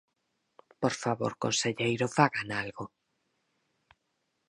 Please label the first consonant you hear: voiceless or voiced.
voiceless